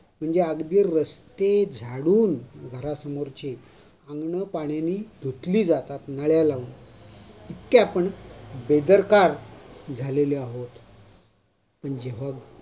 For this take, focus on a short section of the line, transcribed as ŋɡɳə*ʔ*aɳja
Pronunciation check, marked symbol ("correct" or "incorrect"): incorrect